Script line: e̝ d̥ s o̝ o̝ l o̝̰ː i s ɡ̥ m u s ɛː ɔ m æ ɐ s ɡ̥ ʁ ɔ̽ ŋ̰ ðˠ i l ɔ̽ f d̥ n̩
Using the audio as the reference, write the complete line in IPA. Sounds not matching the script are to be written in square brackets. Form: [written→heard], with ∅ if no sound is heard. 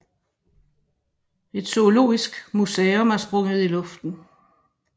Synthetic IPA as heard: e̝ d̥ s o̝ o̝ l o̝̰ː i s ɡ̥ m u s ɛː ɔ m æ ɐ s [ɡ̥→b̥] ʁ ɔ̽ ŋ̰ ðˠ i l ɔ̽ f d̥ n̩